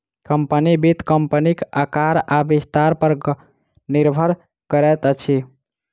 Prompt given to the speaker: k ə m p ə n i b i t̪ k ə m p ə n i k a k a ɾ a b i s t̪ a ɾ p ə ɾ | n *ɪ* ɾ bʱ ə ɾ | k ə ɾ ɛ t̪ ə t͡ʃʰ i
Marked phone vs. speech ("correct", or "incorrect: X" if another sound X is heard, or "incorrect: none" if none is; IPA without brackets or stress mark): incorrect: i